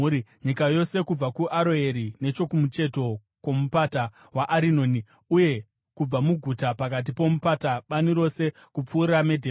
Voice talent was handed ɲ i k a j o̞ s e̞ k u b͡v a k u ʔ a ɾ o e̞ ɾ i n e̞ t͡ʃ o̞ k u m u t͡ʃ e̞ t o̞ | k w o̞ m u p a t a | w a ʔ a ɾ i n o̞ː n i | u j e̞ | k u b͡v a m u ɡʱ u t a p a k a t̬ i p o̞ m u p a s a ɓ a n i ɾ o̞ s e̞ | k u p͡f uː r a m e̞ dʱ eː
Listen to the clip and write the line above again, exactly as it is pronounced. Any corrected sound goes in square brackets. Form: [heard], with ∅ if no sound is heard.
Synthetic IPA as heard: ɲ i k a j o̞ s e̞ k u b͡v a k u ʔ a ɾ o e̞ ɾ i n e̞ t͡ʃ o̞ k u m u t͡ʃ e̞ t o̞ | k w o̞ m u p a t a | w a ʔ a ɾ i n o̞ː n i | u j e̞ | k u b͡v a m u ɡʱ u t a p a k a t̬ i p o̞ m u p a [t] a ɓ a n i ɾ o̞ s e̞ | k u p͡f uː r a m e̞ dʱ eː